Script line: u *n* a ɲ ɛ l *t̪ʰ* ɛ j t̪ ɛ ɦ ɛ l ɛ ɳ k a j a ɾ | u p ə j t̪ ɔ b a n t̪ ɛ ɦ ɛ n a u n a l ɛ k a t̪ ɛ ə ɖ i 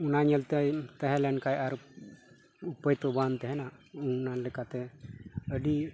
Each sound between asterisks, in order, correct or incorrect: correct, incorrect: t̪

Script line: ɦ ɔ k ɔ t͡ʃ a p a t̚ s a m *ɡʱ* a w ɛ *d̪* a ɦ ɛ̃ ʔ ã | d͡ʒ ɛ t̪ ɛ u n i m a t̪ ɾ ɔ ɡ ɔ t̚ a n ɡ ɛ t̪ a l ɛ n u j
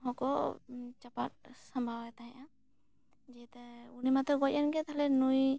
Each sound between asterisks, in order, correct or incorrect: incorrect: bʱ, incorrect: t̪

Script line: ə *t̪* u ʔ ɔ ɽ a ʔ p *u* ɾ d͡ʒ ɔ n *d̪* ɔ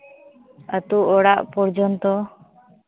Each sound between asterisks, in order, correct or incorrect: correct, incorrect: ɔ, incorrect: t̪

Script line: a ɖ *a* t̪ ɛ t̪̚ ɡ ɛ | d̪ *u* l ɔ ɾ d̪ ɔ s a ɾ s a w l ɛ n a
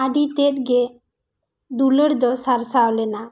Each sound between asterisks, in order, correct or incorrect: incorrect: i, correct

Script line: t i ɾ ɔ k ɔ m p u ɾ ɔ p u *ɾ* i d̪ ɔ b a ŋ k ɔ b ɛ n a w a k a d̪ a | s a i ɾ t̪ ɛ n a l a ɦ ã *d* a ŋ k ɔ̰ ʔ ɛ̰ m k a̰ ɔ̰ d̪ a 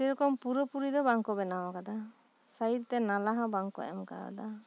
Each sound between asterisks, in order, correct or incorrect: correct, incorrect: b

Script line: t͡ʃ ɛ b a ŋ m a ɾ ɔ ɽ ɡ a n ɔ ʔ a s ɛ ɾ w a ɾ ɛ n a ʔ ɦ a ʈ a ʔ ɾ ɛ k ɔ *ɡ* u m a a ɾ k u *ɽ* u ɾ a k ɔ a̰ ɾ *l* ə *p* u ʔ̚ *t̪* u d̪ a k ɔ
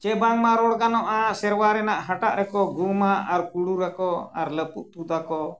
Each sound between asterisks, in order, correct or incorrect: correct, correct, correct, correct, correct

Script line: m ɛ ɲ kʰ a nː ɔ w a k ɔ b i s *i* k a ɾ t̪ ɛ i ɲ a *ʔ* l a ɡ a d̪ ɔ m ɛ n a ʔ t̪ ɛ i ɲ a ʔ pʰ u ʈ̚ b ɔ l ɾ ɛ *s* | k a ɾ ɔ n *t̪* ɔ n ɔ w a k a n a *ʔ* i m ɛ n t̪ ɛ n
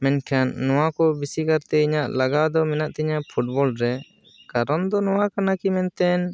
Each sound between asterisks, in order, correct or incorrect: correct, correct, incorrect: none, incorrect: d̪, incorrect: k

